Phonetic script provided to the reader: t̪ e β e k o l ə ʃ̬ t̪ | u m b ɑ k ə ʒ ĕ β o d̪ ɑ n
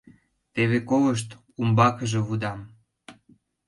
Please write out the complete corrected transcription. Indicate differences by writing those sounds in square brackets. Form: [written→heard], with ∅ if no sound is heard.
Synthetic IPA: t̪ e β e k o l ə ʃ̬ t̪ | u m b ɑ k ə ʒ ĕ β [o→u] d̪ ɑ [n→m]